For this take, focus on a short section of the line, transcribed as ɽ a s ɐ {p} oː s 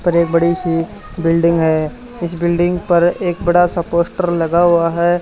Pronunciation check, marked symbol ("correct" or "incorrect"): correct